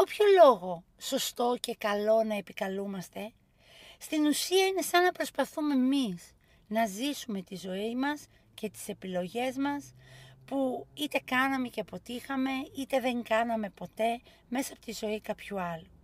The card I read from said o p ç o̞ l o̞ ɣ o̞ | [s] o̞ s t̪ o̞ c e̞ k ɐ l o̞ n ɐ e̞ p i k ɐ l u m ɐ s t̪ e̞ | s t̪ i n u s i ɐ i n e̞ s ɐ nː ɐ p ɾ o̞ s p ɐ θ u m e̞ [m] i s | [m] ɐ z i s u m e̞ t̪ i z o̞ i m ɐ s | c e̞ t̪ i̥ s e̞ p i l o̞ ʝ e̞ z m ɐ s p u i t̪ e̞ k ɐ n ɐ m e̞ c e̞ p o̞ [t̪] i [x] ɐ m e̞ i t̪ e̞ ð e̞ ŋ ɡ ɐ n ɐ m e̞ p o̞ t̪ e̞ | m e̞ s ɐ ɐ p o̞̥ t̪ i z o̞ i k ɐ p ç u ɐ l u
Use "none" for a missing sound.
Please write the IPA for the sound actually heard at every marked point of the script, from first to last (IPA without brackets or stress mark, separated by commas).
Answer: s, m, n, t̪, x